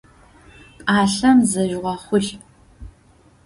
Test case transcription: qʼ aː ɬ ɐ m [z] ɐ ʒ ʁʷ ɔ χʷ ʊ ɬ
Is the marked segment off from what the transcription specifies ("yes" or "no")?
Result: no